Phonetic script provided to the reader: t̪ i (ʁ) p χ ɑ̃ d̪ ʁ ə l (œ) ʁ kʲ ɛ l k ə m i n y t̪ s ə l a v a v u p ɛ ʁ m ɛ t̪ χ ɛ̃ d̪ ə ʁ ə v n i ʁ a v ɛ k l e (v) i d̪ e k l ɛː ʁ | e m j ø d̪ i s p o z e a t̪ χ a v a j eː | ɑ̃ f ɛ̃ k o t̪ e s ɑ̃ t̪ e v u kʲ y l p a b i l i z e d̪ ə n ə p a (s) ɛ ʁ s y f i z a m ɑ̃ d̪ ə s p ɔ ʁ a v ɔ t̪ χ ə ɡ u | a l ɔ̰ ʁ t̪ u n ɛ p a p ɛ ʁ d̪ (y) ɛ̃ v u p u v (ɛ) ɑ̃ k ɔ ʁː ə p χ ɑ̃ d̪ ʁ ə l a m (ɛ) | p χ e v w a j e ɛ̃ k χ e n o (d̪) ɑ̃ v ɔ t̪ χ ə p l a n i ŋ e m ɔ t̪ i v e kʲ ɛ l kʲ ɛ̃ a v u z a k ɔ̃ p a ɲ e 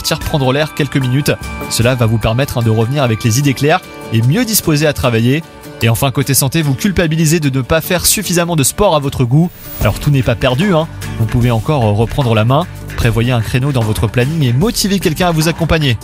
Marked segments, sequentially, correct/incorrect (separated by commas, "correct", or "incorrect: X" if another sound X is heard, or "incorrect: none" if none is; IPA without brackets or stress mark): correct, incorrect: ɛ, incorrect: z, incorrect: f, correct, incorrect: e, incorrect: ɛ̃, correct